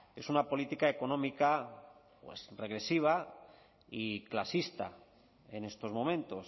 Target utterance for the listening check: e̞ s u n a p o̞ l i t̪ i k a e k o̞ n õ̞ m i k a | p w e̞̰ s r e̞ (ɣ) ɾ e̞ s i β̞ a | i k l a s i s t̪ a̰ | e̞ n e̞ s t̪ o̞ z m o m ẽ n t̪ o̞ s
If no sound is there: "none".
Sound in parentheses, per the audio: ɣ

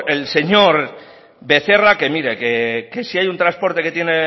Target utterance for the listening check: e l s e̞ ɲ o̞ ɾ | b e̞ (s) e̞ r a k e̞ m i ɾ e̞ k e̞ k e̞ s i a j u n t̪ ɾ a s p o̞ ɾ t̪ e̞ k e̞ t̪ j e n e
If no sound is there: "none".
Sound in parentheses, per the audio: θ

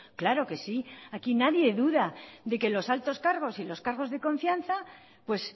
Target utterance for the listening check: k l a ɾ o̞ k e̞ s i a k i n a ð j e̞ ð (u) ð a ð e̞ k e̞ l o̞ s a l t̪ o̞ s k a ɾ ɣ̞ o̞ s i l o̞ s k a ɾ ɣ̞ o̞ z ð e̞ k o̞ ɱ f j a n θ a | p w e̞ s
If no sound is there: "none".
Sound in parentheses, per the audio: u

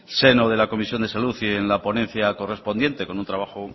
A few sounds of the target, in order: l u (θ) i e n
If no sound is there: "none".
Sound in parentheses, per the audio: θ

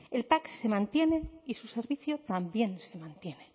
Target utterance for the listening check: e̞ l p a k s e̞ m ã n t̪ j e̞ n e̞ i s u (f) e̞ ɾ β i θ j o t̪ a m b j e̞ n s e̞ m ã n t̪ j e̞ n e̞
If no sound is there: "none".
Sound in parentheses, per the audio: s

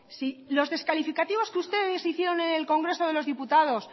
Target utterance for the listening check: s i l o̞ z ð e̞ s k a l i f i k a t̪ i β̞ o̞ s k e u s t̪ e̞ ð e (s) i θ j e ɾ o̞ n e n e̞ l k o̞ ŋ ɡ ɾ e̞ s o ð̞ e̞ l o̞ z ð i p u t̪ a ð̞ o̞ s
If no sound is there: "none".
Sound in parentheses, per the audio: s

